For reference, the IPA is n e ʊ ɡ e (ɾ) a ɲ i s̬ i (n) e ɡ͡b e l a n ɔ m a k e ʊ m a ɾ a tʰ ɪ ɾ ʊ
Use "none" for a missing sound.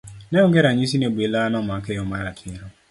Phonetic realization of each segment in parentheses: ɾ, n

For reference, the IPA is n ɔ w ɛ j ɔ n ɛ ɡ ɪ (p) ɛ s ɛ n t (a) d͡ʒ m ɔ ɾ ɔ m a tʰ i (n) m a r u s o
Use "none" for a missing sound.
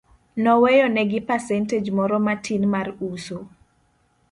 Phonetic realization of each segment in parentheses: p, e, n

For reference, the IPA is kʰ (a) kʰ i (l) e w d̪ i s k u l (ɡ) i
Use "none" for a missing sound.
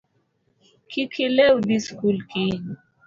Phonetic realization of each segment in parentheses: i, l, k

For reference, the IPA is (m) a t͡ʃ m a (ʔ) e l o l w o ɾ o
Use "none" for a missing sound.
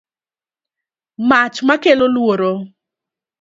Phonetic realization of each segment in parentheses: m, k

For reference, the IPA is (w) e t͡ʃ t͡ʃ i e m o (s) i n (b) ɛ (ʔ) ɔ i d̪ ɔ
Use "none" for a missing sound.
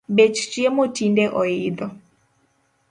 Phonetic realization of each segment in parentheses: b, t, d, ʔ

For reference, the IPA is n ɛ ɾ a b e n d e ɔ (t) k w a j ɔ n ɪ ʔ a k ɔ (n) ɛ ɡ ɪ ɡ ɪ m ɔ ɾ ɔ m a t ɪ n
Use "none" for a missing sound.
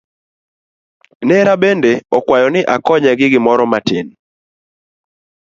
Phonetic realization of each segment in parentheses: none, ɲ

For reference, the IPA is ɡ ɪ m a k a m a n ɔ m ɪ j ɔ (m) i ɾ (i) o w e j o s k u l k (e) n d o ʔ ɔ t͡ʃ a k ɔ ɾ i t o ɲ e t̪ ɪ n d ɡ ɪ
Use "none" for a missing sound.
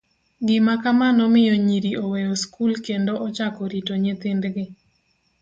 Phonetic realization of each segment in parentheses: ɲ, i, e

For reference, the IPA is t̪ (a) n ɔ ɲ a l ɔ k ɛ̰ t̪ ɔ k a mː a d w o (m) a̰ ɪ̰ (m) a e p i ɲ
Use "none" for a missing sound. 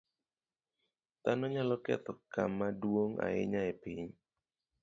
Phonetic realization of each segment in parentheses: a, ŋ, ɲ

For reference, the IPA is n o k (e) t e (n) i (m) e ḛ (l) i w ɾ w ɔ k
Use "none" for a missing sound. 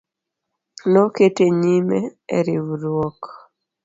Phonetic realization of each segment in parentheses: e, ɲ, m, ɾ

